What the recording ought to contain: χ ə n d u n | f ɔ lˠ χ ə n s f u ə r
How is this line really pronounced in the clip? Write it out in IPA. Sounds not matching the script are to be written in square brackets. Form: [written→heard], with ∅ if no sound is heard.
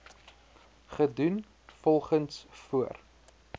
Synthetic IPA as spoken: χ ə [n→∅] d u n | f ɔ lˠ χ ə n s f u ə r